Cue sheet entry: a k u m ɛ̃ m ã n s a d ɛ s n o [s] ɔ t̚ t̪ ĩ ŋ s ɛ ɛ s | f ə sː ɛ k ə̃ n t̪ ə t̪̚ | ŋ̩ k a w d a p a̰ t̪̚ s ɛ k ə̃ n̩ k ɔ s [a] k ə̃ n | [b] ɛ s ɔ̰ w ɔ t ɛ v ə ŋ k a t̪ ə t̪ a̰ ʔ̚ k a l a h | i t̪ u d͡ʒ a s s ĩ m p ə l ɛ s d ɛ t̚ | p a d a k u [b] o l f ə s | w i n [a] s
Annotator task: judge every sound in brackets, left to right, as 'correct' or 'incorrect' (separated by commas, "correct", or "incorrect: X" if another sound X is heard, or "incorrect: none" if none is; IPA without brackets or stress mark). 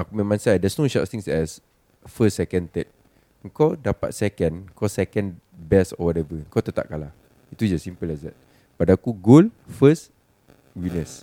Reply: incorrect: ʃ, incorrect: ɛ, correct, incorrect: ɡ, incorrect: ə